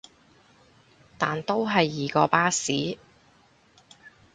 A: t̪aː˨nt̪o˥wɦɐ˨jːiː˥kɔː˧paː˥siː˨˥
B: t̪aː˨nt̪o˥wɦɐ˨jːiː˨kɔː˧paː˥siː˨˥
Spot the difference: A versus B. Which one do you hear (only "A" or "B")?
B